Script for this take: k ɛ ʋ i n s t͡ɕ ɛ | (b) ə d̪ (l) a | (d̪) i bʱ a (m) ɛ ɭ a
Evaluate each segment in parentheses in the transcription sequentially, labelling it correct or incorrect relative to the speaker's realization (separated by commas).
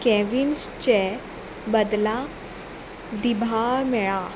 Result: correct, correct, correct, correct